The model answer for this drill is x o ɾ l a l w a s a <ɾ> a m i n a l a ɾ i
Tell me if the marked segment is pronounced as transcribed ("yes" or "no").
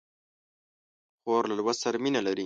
yes